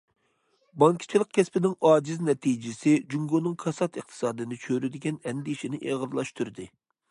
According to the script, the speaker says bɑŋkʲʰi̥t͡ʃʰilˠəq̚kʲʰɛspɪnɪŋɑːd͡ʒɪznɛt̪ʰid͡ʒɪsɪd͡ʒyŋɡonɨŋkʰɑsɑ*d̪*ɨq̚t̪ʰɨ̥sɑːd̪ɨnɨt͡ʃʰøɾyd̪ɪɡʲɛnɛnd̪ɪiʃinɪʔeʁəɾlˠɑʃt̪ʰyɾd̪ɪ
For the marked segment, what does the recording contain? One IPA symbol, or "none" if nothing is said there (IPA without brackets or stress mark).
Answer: t̪